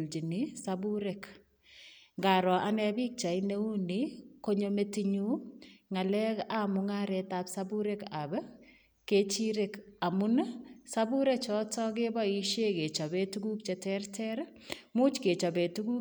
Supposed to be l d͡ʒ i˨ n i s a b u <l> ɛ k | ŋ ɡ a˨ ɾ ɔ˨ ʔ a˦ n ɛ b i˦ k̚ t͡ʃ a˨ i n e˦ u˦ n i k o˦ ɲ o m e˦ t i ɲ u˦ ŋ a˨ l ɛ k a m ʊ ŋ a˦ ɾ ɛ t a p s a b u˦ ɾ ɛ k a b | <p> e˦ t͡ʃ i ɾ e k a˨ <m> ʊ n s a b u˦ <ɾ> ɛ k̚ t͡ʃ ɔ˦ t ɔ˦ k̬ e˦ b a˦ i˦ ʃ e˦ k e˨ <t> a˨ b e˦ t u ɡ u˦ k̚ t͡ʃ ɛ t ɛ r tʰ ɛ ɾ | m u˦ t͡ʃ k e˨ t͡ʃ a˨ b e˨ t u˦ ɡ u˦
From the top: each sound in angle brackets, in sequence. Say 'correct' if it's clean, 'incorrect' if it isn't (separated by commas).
incorrect, incorrect, correct, correct, incorrect